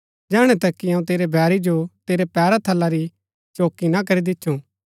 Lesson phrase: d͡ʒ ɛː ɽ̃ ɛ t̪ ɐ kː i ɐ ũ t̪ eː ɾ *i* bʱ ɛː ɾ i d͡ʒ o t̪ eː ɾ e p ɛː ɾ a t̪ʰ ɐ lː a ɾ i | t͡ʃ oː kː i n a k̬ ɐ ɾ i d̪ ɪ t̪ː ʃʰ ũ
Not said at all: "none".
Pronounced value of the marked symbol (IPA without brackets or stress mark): e